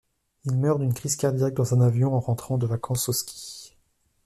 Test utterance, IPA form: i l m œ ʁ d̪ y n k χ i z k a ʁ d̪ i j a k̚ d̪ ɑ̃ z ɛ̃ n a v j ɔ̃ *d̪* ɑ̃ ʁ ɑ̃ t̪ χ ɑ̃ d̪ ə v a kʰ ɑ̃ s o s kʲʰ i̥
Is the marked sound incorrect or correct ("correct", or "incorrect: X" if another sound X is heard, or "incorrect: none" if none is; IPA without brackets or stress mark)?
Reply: incorrect: none